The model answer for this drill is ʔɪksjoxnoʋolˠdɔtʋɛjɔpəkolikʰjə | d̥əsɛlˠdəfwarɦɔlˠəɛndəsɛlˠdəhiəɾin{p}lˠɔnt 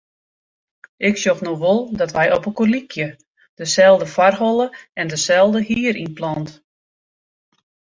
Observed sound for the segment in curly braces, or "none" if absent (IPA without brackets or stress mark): p